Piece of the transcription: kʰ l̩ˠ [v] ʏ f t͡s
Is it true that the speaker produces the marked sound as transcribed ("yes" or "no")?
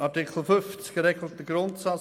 no